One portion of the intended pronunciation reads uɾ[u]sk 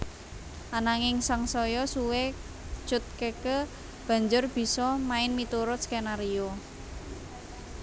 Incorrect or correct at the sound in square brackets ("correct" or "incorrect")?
incorrect